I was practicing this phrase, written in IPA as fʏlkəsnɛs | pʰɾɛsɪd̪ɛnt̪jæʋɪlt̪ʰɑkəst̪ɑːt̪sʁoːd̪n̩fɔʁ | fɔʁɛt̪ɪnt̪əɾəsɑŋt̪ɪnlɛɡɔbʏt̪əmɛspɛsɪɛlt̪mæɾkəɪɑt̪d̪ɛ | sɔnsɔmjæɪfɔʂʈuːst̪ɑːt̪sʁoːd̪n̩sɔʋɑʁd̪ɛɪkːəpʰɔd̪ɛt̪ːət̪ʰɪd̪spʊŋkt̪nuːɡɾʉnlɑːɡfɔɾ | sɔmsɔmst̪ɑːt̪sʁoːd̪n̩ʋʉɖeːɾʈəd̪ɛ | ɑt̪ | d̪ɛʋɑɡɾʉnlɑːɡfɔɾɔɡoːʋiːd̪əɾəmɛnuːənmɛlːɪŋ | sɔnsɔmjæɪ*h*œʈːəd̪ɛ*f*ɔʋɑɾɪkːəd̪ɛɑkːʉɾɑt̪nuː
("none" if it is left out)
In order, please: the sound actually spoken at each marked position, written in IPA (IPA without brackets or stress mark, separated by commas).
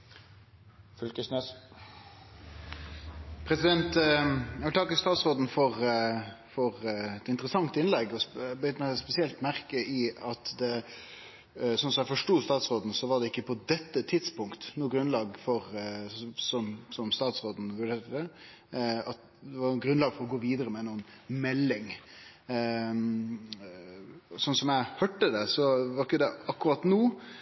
h, s